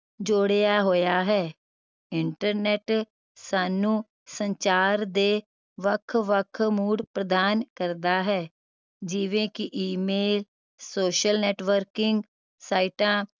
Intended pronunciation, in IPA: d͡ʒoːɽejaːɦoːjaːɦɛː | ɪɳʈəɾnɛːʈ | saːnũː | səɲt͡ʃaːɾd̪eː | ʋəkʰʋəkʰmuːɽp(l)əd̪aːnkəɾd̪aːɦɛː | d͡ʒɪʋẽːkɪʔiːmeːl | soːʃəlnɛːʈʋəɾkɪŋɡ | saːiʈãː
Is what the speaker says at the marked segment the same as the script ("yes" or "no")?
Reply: no